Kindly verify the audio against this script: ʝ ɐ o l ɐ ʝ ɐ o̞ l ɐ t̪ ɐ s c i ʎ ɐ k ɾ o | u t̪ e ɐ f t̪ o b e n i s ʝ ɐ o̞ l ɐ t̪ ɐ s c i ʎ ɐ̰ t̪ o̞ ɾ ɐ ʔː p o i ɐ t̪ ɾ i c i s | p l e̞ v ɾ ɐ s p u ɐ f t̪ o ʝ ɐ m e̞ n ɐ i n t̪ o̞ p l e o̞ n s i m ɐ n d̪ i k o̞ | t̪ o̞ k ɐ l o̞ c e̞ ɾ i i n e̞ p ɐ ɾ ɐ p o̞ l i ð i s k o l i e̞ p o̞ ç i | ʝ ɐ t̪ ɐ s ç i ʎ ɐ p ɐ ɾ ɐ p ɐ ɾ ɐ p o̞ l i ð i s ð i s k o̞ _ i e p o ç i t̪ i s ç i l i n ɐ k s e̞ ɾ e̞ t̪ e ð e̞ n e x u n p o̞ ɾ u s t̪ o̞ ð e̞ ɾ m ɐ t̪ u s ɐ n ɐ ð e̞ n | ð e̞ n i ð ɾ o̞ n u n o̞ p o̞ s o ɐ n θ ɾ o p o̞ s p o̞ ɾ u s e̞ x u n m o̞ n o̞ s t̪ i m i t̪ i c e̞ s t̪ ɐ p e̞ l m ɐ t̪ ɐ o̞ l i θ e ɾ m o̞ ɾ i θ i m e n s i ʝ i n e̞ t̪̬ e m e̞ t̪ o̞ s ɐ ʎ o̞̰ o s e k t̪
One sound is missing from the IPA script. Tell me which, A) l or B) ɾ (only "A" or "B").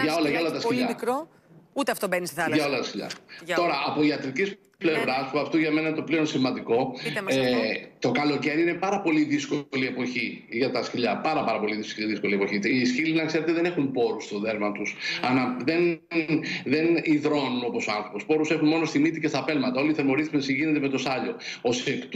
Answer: A